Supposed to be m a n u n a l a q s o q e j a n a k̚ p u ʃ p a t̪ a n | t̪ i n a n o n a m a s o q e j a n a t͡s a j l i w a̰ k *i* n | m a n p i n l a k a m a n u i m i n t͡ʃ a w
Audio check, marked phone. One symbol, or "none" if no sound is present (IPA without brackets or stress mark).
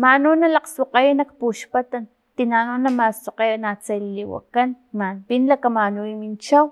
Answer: a